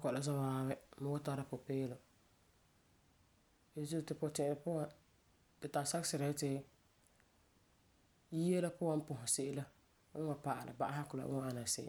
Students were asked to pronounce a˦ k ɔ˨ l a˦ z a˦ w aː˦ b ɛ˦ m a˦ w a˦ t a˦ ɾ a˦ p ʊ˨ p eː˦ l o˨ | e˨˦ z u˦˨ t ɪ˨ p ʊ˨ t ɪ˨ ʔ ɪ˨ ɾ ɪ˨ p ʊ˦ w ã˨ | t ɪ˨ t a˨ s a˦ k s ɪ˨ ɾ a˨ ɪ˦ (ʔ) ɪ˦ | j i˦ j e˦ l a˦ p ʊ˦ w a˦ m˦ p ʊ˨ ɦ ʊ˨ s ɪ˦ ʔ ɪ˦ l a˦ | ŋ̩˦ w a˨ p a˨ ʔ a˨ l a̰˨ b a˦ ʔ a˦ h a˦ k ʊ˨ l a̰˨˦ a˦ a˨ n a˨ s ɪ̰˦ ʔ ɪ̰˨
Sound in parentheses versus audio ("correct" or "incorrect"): incorrect